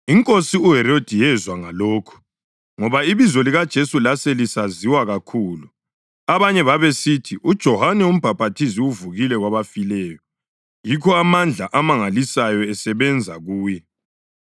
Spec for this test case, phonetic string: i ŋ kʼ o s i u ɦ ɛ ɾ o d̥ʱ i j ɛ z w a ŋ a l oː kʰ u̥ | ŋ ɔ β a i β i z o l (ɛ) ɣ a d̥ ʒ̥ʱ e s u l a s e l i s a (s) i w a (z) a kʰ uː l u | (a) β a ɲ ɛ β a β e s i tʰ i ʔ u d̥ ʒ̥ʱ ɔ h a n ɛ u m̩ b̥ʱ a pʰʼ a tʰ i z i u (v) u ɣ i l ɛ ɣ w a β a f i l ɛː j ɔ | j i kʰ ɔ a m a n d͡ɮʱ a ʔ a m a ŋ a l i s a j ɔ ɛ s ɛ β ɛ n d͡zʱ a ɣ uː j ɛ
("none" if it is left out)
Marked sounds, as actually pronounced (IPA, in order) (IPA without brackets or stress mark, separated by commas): i, z, ɣ, a, v